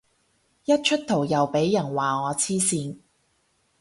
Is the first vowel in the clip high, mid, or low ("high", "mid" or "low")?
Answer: low